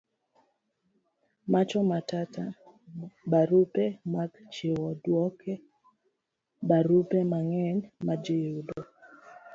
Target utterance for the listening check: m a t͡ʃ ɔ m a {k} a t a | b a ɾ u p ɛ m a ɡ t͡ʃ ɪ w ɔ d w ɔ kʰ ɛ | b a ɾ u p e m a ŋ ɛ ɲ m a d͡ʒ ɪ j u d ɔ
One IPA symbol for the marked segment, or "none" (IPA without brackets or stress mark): t